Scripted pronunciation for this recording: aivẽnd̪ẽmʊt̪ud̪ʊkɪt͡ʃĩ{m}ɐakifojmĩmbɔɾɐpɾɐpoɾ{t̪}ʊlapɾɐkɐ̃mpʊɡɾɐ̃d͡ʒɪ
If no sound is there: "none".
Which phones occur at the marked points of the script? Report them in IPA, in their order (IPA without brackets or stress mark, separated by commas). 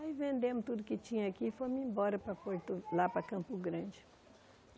ɲ, t̪